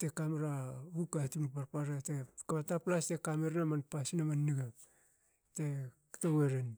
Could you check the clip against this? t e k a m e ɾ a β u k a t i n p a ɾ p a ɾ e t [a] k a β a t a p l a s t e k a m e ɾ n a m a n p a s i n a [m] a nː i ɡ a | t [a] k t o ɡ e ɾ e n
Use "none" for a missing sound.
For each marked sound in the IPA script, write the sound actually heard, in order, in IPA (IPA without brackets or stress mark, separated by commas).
e, m, e